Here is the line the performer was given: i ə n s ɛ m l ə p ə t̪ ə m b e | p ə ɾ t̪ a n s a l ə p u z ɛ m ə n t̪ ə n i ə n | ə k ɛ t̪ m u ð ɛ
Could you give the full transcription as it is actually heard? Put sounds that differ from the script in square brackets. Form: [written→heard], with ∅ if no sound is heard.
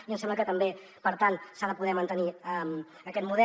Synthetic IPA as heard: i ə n s ɛ m l ə [p→k] ə t̪ ə m b e | p ə ɾ t̪ a n s a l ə p u [z→ð] ɛ m ə n t̪ ə n i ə [n→m] | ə k ɛ t̪ m u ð ɛ